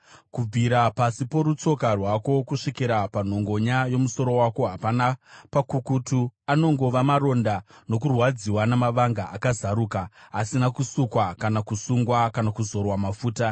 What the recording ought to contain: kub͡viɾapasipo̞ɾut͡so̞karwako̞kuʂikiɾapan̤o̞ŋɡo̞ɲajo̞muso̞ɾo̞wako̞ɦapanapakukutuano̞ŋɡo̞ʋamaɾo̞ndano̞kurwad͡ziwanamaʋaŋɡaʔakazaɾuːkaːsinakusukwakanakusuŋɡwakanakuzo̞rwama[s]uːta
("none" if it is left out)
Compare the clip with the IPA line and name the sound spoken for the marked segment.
f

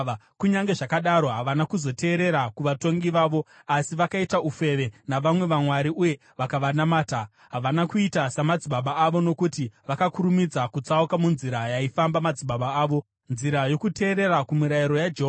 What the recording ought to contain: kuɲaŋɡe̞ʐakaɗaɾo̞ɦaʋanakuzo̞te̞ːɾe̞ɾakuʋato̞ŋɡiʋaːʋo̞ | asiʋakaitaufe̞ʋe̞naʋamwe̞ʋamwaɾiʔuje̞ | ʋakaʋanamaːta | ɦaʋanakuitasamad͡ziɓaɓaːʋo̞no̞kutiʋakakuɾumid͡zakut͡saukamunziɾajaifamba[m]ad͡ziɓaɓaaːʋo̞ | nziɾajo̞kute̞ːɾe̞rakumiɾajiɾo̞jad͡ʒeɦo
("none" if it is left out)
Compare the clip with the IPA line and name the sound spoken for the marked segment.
m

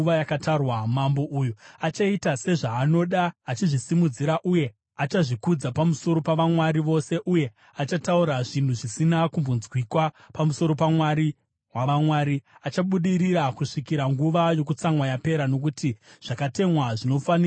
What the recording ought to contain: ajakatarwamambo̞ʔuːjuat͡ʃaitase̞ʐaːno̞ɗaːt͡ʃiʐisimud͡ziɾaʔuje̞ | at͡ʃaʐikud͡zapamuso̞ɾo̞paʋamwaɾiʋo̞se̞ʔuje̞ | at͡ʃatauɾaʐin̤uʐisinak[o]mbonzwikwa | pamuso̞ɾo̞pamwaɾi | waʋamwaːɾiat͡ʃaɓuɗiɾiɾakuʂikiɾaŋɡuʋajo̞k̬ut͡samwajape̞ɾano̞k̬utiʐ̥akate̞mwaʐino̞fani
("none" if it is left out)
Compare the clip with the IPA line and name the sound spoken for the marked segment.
u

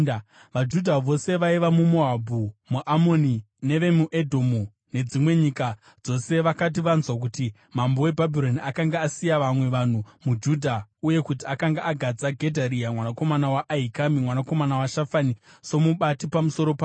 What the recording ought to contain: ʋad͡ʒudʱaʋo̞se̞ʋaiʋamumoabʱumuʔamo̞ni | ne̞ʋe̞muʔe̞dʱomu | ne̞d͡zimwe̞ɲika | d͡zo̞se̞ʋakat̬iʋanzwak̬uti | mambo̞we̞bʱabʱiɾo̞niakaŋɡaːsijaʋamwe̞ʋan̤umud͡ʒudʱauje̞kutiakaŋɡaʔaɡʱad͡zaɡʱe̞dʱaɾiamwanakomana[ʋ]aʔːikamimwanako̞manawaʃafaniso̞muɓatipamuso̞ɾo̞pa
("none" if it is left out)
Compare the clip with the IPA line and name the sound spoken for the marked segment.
w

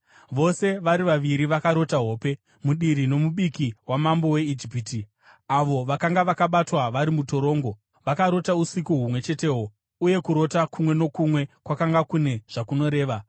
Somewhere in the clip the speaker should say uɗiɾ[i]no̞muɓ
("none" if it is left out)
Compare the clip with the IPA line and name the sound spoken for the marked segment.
i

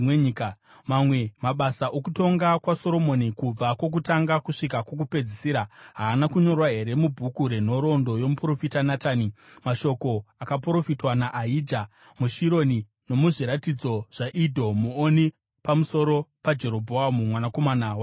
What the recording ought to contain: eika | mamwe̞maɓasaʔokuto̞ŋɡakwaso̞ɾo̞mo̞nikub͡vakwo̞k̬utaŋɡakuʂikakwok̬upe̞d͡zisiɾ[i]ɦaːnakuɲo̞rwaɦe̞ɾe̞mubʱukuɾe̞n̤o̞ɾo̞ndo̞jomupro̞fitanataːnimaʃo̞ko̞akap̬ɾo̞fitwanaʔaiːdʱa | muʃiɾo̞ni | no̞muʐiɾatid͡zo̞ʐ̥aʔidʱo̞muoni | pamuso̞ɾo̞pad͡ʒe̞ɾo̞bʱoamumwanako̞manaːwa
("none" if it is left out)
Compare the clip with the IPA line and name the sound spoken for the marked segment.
a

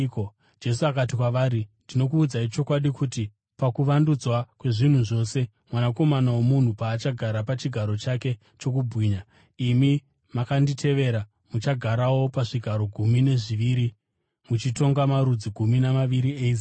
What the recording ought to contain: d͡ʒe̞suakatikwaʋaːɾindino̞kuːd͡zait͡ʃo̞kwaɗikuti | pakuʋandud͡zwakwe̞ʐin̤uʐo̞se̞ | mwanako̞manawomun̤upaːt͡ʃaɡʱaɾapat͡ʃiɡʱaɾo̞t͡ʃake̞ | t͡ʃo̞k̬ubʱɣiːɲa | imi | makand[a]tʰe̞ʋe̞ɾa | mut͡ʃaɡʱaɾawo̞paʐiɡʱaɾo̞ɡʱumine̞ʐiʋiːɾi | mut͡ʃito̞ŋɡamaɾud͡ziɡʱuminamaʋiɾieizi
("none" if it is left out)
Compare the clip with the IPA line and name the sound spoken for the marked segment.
i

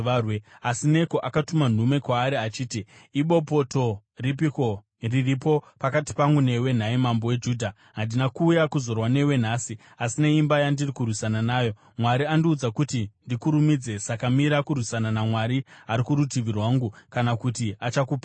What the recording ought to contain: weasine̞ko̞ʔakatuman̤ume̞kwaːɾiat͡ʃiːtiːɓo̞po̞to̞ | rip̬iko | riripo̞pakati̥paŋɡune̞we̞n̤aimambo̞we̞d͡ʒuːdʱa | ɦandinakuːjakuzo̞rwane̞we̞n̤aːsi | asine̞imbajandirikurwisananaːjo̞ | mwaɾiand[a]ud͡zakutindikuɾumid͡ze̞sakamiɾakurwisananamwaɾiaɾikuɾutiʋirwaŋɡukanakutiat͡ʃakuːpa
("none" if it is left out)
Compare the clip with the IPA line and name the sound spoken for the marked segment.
i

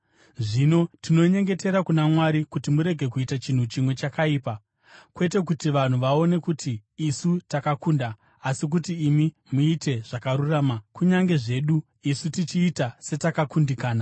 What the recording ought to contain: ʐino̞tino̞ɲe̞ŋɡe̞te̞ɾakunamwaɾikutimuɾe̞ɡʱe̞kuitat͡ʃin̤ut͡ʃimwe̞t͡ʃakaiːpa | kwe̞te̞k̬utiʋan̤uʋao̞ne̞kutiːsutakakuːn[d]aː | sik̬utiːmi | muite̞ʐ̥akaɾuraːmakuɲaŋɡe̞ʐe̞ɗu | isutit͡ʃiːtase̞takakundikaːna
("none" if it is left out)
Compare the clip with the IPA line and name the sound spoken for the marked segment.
d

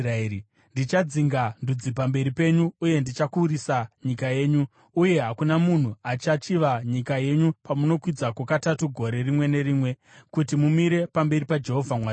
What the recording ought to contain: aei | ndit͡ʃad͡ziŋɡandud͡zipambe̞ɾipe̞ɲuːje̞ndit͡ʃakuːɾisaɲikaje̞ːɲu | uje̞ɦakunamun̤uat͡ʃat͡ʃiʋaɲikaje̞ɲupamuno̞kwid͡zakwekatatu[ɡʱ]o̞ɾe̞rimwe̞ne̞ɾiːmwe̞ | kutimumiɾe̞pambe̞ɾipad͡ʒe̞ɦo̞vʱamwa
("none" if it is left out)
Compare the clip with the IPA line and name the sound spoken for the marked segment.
ɡʱ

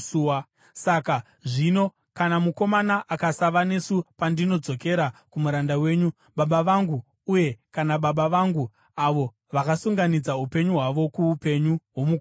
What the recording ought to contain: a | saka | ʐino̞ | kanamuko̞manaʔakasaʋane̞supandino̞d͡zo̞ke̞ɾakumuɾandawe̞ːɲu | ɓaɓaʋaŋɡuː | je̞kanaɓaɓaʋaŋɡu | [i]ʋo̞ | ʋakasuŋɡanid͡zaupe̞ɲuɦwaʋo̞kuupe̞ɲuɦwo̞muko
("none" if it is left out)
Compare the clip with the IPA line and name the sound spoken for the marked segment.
a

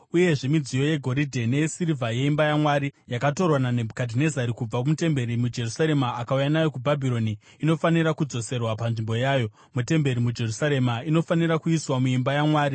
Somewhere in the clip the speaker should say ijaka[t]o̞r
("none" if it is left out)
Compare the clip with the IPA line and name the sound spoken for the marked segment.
t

